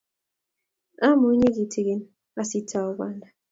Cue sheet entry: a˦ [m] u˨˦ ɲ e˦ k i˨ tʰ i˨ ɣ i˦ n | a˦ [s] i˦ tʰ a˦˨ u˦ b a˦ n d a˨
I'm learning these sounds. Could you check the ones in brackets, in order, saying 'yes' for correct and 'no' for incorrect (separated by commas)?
yes, yes